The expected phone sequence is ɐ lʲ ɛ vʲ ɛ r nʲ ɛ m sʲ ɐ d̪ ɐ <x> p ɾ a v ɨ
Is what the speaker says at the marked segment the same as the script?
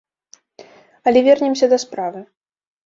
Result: no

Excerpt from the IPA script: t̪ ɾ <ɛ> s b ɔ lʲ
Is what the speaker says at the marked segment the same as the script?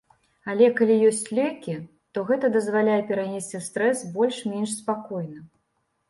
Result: yes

